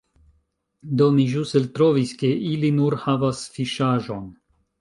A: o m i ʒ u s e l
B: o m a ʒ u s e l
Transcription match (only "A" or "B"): A